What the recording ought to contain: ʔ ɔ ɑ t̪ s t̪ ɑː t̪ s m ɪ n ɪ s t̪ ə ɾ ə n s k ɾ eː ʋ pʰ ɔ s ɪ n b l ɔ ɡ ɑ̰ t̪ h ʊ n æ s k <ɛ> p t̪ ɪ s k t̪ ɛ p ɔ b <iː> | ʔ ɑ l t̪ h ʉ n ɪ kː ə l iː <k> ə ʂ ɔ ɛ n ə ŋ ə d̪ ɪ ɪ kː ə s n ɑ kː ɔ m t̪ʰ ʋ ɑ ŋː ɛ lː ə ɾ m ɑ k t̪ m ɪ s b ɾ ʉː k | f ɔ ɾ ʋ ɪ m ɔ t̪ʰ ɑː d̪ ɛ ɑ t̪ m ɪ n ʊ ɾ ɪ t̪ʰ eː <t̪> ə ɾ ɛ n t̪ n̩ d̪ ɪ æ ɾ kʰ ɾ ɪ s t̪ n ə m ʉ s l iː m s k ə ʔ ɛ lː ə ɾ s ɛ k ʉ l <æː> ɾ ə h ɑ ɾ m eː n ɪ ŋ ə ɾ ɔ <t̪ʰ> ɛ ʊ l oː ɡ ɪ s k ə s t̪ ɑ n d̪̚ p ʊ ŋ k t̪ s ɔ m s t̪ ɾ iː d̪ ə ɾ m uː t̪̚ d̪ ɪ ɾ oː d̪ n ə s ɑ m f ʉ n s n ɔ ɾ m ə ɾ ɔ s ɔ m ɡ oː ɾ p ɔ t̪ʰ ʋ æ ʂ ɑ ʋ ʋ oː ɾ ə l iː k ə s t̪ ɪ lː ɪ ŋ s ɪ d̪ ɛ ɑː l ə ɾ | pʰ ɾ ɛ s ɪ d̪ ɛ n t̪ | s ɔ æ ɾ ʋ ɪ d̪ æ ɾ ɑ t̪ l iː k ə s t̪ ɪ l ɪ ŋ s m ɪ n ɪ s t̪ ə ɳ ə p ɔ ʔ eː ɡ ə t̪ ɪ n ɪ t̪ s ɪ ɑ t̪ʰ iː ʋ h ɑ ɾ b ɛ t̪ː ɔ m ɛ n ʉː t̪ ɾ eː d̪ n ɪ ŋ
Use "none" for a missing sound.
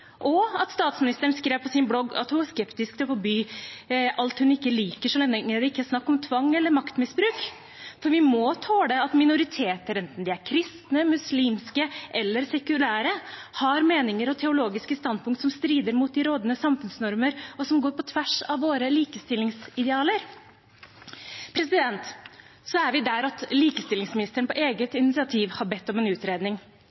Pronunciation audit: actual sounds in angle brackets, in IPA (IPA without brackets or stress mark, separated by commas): ɛ, yː, k, t̪, æː, t̪ʰ